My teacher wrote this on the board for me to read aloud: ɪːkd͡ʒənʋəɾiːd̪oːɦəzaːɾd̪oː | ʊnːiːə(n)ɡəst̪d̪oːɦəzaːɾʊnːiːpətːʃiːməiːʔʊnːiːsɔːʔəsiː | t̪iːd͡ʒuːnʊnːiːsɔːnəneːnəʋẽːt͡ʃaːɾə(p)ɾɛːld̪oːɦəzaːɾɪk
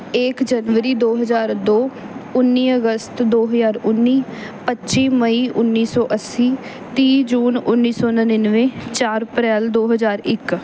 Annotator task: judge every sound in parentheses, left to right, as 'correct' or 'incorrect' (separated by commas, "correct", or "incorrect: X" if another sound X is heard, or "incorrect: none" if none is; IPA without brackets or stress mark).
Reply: incorrect: none, correct